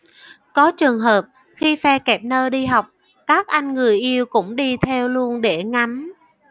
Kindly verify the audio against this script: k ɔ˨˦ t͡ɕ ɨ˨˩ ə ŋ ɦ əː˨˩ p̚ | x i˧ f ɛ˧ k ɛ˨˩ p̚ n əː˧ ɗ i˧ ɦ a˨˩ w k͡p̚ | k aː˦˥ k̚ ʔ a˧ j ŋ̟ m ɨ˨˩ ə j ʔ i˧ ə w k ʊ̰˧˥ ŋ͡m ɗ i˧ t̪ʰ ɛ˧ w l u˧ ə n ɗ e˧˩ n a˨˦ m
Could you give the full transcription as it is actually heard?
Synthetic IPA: k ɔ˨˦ t͡ɕ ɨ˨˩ ə ŋ ɦ əː˨˩ p̚ | x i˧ f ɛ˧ k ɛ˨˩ p̚ n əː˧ ɗ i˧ ɦ a˨˩ w k͡p̚ | k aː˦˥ k̚ ʔ a˧ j ŋ̟ ŋ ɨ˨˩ ə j ʔ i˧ ə w k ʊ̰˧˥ ŋ͡m ɗ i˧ t̪ʰ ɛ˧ w l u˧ ə n ɗ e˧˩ ŋ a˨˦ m